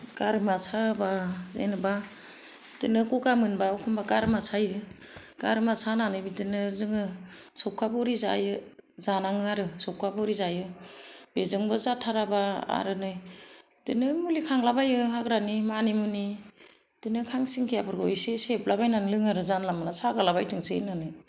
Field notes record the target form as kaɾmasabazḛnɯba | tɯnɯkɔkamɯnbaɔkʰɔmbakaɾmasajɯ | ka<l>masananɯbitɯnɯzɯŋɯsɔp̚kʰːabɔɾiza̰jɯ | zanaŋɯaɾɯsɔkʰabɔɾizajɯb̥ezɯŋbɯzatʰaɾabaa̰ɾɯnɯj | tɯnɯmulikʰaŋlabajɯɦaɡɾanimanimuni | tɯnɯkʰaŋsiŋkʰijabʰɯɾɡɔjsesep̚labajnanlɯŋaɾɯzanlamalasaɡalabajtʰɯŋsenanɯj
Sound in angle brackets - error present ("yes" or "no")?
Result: yes